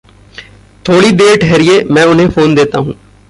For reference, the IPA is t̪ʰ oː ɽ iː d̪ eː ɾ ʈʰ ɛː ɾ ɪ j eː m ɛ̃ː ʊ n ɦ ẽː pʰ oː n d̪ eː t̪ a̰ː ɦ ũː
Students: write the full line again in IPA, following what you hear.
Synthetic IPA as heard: t̪ʰ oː ɽ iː d̪ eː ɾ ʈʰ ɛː ɾ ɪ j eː m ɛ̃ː ʊ n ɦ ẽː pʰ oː n d̪ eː t̪ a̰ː ɦ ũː